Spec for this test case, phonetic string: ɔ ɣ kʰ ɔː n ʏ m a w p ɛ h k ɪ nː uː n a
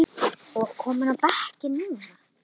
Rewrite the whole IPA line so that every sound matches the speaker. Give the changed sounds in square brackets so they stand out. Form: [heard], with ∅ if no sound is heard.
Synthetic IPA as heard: ɔ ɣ kʰ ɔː [m] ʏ [n] a w p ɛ h [c] ɪ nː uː n a